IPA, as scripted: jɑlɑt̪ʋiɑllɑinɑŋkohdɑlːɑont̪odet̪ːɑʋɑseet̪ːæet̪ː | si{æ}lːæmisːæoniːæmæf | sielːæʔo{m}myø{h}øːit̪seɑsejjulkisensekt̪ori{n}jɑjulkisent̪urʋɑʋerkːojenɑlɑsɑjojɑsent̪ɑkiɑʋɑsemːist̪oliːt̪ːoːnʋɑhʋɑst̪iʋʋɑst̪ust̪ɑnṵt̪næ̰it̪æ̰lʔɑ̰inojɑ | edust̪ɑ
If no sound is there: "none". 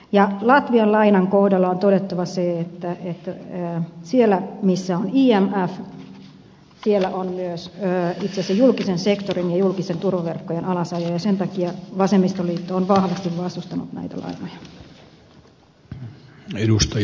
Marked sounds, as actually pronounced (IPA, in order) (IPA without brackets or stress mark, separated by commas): e, n, s, n